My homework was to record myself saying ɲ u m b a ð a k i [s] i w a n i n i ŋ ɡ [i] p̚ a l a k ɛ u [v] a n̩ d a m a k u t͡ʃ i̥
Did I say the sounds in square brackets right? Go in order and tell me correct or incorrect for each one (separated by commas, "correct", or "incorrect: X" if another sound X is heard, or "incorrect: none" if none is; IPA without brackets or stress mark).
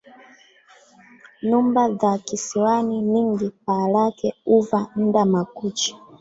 correct, correct, correct